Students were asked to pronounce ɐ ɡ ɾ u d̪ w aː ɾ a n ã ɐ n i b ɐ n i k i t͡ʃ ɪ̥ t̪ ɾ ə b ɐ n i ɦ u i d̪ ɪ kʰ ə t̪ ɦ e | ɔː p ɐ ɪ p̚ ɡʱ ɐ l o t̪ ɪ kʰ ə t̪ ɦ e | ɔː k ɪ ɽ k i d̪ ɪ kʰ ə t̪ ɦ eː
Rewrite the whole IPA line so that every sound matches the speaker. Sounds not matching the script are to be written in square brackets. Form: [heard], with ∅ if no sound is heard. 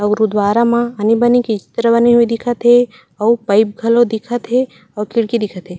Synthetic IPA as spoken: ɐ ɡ ɾ u d̪ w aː ɾ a [m] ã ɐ n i b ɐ n i k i t͡ʃ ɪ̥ t̪ ɾ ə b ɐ n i ɦ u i d̪ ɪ kʰ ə t̪ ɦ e | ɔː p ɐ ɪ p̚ ɡʱ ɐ l o [d̪] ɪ kʰ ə t̪ ɦ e | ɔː k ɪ ɽ k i d̪ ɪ kʰ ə t̪ ɦ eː